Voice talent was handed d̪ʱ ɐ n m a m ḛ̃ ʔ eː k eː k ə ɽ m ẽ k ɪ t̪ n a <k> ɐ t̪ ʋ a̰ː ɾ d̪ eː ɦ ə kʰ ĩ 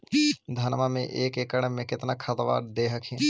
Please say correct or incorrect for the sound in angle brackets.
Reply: incorrect